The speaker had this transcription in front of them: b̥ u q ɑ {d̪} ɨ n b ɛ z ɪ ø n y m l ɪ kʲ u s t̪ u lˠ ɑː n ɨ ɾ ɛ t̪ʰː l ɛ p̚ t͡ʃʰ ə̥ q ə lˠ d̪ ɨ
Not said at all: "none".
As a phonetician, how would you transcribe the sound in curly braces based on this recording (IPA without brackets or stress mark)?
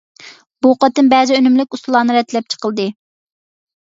t̪